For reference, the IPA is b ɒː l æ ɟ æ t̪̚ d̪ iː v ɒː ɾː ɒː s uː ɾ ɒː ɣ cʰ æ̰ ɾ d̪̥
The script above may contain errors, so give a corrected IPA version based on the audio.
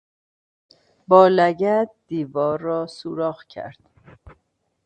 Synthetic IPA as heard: b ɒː l æ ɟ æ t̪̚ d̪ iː v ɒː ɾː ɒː s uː ɾ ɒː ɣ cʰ æ̰ ɾ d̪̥

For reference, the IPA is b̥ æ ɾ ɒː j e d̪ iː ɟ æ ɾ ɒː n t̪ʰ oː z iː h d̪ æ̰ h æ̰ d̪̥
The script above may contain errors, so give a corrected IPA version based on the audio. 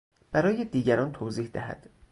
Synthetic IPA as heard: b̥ æ ɾ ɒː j e d̪ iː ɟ æ ɾ ɒː n t̪ʰ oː z iː h d̪ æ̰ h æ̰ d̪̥

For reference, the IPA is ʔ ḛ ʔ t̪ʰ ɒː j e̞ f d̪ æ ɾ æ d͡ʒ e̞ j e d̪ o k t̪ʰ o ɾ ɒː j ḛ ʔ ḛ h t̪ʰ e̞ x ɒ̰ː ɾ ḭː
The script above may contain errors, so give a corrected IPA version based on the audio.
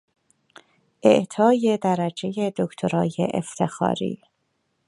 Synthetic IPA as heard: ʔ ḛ ʔ t̪ʰ ɒː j e̞ d̪ æ ɾ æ d͡ʒ e̞ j e d̪ o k t̪ʰ o ɾ ɒː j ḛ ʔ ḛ f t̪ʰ e̞ x ɒ̰ː ɾ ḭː

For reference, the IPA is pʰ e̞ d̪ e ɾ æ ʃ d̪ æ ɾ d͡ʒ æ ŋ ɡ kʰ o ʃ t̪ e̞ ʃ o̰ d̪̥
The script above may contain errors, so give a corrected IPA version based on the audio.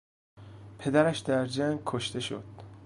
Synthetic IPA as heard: pʰ e̞ d̪ æ ɾ æ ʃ d̪ æ ɾ d͡ʒ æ ŋ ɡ kʰ o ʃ t̪ e̞ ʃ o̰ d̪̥

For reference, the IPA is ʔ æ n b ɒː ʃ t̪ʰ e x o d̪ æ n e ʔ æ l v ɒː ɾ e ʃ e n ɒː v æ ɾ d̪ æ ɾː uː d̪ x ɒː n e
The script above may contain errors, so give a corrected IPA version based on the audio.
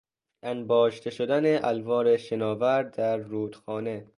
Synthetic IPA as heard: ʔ æ n b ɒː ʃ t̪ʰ e ʃ o d̪ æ n e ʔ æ l v ɒː ɾ e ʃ e n ɒː v æ ɾ d̪ æ ɾː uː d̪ x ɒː n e

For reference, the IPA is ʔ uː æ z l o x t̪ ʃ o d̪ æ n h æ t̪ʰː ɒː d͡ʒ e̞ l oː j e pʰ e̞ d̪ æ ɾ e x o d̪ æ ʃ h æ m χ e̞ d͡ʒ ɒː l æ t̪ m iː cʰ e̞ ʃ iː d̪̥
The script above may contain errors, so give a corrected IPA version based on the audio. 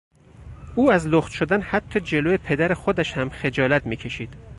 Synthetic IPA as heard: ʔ uː æ z l o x t̪ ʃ o d̪ æ n h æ t̪ʰː ɒː d͡ʒ e̞ l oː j e pʰ e̞ d̪ æ ɾ e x o d̪ æ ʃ h æ m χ e̞ d͡ʒ ɒː l æ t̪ m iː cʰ e̞ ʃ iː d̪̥

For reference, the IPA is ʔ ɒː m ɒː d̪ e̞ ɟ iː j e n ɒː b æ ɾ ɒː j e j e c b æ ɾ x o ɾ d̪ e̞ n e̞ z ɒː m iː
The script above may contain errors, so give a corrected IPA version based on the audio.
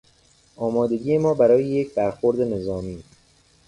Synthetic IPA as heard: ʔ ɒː m ɒː d̪ e̞ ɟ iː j e m ɒː b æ ɾ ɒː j e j e c b æ ɾ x o ɾ d̪ e̞ n e̞ z ɒː m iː

